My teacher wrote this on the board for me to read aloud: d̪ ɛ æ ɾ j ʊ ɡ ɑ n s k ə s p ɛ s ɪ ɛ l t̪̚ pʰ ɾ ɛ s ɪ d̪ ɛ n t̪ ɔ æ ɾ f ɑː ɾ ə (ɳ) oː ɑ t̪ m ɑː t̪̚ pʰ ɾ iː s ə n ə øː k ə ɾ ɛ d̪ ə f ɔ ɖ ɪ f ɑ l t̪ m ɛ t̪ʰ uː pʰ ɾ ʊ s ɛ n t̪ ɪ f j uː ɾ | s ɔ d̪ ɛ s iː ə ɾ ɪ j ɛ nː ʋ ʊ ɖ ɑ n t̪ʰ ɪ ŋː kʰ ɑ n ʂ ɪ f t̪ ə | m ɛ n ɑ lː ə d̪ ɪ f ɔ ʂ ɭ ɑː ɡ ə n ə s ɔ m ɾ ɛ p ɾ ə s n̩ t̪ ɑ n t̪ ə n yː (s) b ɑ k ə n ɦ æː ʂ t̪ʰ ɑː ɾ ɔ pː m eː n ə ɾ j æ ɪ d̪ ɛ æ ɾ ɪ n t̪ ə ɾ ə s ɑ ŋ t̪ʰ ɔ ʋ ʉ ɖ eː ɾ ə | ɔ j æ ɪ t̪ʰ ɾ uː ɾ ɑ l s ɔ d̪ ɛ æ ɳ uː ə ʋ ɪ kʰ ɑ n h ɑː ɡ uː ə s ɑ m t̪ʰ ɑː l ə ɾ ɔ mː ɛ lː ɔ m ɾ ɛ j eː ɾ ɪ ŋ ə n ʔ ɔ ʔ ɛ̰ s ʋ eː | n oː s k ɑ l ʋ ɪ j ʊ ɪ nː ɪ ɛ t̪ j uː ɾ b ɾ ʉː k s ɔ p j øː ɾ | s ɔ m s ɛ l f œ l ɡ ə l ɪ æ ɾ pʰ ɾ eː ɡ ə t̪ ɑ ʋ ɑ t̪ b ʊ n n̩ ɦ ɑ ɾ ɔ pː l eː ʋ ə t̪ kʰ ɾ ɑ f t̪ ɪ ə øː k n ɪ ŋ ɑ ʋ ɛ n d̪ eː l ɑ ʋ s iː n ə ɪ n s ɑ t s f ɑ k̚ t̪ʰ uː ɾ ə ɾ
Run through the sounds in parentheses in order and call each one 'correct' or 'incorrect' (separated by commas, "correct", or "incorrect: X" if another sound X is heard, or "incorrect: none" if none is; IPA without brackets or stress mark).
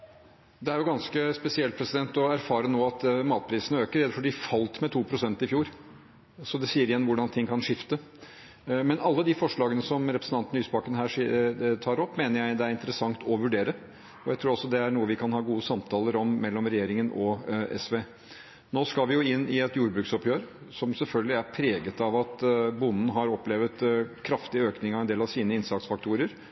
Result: incorrect: n, correct